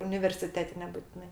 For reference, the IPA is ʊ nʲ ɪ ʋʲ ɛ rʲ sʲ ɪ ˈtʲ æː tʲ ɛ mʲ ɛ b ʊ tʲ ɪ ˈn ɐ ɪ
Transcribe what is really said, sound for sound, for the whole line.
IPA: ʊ nʲ ɪ ʋʲ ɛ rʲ sʲ ɪ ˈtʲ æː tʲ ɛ nʲ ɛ b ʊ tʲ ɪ ˈn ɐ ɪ